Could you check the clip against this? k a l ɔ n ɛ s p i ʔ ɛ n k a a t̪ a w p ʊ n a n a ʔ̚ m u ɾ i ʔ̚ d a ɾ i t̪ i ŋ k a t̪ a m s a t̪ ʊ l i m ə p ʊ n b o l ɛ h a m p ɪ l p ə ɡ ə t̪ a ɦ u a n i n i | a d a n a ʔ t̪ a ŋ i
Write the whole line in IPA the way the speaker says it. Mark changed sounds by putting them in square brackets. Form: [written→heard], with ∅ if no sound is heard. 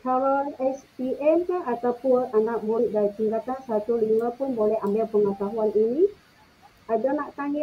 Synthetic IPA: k a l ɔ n ɛ s p i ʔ ɛ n k a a t̪ a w p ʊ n a n a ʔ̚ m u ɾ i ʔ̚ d a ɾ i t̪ i ŋ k a t̪ a [m→n] s a t̪ [ʊ→u] l i m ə p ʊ n b o l ɛ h a m [p→b] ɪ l p ə [ɡ→ŋ] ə t̪ a ɦ u a n i n i | a d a n a ʔ t̪ a ŋ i